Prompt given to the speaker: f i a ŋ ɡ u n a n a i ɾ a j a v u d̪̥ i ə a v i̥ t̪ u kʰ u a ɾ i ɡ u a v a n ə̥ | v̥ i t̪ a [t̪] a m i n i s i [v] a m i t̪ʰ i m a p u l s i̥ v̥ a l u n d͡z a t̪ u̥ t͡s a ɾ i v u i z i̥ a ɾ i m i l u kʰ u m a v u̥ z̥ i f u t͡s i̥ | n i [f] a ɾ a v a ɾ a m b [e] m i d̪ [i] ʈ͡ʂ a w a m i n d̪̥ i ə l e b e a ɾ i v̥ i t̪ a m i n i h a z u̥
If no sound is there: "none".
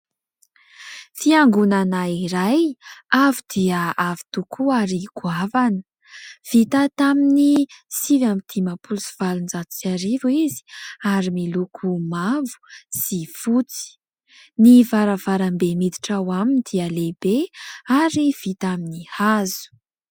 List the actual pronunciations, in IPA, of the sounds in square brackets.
t̪, v, v, e, i

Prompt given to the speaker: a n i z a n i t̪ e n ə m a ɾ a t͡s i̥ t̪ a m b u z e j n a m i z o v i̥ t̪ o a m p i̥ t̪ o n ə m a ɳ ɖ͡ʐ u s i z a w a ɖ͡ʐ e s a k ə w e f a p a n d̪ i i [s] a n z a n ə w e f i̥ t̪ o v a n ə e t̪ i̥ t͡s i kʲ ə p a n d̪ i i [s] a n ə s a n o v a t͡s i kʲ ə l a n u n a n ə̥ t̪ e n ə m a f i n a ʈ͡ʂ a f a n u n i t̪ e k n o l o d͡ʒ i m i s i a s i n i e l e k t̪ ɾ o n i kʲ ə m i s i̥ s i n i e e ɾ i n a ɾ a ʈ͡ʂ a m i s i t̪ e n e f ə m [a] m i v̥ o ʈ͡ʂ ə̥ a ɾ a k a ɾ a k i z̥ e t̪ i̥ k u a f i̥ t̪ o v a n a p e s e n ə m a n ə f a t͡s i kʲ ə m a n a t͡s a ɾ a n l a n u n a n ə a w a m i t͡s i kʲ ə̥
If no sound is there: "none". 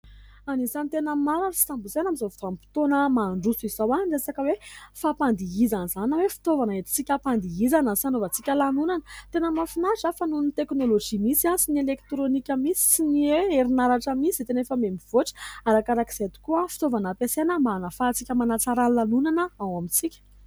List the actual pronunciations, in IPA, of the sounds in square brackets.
z, z, e

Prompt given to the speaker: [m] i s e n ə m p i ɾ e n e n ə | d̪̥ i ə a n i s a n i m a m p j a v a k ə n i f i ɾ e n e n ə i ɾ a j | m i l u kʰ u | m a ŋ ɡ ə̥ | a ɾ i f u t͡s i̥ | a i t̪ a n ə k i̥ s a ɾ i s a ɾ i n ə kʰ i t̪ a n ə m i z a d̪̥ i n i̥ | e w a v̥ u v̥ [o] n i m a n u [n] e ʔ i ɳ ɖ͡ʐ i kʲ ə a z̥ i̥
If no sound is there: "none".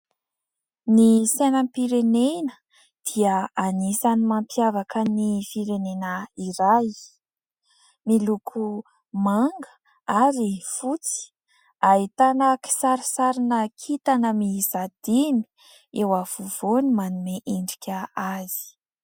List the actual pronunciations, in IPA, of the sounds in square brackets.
n, o, m

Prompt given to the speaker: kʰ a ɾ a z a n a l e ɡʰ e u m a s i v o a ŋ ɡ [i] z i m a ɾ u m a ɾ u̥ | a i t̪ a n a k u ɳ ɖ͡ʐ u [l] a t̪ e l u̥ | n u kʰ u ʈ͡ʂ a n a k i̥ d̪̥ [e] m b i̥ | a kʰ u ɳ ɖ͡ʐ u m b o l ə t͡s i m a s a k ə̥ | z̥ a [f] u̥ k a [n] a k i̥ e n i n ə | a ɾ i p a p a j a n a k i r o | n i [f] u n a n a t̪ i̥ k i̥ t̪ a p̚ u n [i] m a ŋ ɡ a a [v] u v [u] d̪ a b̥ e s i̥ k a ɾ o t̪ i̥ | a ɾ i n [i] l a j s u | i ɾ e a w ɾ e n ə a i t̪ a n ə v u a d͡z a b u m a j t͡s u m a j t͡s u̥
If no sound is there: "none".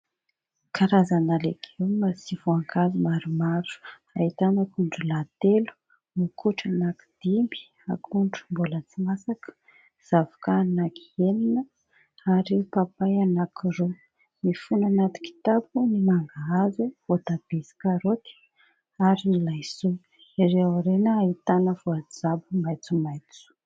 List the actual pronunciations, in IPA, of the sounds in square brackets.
a, l, i, v, n, f, i, z, o, i

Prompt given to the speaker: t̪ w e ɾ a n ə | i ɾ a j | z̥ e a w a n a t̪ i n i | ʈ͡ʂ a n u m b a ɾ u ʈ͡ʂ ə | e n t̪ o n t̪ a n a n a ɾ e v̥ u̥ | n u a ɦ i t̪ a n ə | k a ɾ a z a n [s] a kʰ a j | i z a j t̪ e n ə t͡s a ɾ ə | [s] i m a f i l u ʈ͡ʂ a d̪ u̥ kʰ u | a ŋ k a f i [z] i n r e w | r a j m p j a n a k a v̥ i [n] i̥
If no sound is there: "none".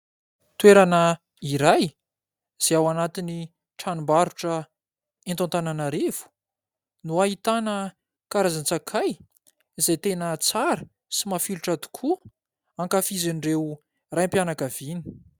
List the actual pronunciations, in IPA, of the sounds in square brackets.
t͡s, s, z, n

